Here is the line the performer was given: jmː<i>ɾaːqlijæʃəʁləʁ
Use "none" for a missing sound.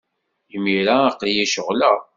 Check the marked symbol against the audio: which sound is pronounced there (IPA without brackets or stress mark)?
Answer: i